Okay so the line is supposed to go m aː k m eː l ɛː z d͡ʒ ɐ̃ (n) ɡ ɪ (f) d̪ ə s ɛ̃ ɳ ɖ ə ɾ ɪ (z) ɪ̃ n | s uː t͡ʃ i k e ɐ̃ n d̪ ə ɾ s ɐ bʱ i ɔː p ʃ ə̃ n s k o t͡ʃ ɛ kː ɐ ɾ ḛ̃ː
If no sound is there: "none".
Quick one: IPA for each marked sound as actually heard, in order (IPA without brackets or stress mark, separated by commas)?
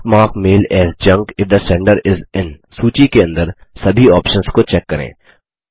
ŋ, f, z